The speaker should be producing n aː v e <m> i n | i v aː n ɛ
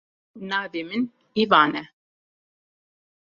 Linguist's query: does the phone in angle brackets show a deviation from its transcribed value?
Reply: no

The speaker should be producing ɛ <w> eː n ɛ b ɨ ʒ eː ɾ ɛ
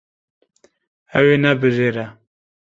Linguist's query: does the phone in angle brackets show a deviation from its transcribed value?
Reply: no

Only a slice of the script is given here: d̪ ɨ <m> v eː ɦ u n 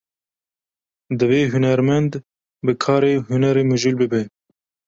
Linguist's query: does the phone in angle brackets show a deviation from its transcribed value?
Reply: yes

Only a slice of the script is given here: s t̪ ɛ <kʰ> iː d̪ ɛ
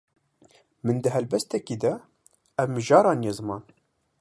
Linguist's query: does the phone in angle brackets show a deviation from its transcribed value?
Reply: yes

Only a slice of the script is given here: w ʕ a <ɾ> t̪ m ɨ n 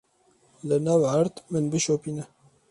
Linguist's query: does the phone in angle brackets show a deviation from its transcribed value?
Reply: no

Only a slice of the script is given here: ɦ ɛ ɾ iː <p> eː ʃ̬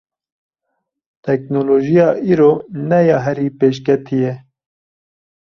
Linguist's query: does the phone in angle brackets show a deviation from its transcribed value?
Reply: no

